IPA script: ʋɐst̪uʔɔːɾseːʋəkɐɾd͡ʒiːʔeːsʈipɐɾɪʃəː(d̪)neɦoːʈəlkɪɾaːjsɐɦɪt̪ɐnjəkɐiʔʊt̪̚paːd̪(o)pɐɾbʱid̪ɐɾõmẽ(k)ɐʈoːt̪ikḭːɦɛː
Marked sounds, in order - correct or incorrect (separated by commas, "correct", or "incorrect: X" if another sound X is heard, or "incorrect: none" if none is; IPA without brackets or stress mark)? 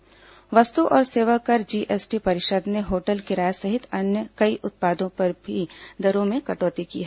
correct, incorrect: õ, correct